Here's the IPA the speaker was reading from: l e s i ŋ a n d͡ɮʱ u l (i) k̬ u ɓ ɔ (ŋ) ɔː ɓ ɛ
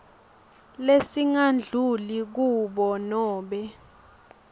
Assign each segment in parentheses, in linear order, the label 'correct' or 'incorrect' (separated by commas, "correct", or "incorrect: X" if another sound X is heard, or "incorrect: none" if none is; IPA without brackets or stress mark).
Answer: correct, incorrect: n